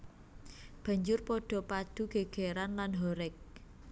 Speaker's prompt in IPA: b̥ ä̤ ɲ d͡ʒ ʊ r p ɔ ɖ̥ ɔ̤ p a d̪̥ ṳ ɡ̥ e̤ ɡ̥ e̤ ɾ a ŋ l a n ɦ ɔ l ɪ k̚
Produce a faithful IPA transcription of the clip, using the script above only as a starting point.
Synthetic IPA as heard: b̥ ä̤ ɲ d͡ʒ ʊ r p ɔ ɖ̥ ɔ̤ p a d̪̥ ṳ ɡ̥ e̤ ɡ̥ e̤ ɾ a n l a n ɦ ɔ ɾ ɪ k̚